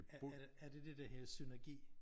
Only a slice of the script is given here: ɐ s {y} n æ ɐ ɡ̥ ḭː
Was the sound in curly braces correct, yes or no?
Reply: yes